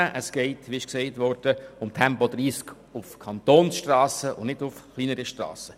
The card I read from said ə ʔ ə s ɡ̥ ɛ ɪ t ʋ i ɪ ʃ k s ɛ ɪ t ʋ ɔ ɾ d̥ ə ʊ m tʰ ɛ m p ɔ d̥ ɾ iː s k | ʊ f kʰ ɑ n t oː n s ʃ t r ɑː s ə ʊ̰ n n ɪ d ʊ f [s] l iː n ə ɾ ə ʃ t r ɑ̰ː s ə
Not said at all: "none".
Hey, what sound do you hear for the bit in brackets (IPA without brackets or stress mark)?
χ